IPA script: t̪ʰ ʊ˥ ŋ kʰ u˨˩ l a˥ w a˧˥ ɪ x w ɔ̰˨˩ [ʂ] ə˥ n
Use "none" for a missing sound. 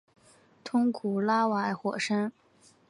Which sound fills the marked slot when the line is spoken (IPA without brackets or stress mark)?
ʂ